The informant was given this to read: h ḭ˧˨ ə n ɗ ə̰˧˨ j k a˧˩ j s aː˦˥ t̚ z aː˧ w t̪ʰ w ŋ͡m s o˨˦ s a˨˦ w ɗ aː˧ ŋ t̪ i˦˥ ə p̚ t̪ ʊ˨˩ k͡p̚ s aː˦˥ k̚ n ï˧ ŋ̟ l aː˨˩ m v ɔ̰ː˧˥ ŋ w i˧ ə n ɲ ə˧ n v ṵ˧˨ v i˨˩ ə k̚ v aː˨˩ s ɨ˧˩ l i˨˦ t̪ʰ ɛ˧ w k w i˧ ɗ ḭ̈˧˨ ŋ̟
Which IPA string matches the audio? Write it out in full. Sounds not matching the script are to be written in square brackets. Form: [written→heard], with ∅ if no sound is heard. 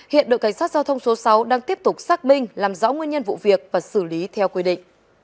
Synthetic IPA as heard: h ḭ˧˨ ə n ɗ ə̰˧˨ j k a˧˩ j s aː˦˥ t̚ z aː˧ w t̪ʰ w ŋ͡m s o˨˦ s a˨˦ w ɗ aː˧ ŋ t̪ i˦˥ ə p̚ t̪ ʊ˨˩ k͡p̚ s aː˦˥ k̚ [n→m] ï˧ ŋ̟ l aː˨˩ m [v→z] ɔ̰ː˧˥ ŋ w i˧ ə n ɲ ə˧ n v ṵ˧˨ v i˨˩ ə k̚ v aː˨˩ s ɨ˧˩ l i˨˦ t̪ʰ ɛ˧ w k w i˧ ɗ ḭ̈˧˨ ŋ̟